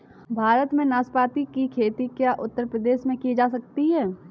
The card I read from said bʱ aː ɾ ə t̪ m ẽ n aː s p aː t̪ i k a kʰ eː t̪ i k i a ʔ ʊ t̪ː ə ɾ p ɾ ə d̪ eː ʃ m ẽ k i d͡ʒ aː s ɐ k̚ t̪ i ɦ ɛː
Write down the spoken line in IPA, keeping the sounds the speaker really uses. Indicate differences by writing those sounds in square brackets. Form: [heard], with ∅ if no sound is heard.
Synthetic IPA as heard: bʱ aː ɾ ə t̪ m ẽ n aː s p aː t̪ i k [i] kʰ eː t̪ i k [j] a ʔ ʊ t̪ː ə ɾ p ɾ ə d̪ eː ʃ m ẽ k i d͡ʒ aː s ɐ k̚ t̪ i ɦ ɛː